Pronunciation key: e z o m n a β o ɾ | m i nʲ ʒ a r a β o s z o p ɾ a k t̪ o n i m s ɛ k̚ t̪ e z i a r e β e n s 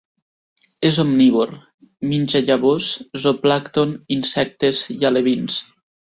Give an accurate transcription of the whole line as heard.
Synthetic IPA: e z o m n i β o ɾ | m i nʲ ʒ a ʎ a β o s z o p l a k t̪ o n i n s ɛ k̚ t̪ e z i a l e β i n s